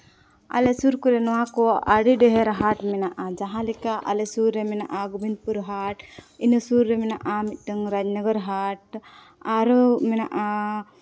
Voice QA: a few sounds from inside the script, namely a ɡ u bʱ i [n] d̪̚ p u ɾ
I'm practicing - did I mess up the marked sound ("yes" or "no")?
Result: no